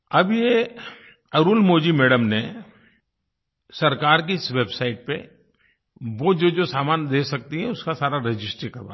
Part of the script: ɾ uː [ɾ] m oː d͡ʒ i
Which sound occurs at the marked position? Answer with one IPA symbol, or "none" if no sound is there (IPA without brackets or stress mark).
l